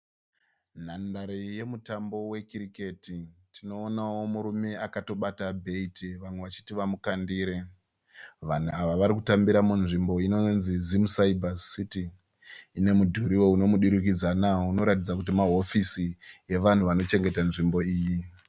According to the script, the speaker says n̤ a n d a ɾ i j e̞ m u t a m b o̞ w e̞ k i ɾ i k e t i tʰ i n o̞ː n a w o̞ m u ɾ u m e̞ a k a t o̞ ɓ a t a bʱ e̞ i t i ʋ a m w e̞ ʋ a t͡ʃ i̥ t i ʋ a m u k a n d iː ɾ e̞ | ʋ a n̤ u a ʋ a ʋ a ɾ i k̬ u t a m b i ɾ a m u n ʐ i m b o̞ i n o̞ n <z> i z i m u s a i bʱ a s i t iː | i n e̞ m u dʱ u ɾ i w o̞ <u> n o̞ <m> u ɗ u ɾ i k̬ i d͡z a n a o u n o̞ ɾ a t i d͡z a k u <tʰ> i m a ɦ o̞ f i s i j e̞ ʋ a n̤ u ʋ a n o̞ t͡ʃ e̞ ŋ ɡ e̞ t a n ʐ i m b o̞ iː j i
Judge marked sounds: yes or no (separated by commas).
yes, yes, yes, no